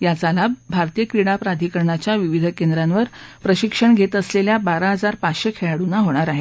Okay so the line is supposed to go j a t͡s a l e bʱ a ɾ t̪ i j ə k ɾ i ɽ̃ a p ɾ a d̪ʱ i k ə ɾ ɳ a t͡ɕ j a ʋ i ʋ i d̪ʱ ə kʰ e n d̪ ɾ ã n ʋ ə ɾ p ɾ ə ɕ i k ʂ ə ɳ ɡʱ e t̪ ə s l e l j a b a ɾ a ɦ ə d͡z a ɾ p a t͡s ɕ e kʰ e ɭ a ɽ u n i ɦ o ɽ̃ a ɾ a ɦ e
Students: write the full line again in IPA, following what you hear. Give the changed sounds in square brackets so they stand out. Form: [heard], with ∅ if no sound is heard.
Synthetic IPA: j a t͡s a l [a] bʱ a ɾ t̪ i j ə k ɾ i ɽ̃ a p ɾ a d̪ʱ i k ə ɾ ɳ a t͡ɕ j a ʋ i ʋ i d̪ʱ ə [k] e n d̪ ɾ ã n ʋ ə ɾ p ɾ ə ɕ i k ʂ ə ɳ ɡʱ e t̪ ə s l e l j a b a ɾ a ɦ ə d͡z a ɾ p a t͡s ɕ e kʰ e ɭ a ɽ u n [a] ɦ o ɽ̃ a ɾ a ɦ e